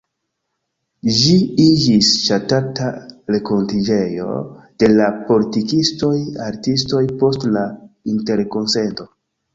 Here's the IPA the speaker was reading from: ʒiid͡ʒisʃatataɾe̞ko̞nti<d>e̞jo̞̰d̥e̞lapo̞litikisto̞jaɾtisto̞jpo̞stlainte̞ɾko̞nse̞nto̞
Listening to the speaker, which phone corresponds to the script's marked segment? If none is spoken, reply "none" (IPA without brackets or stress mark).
d͡ʒ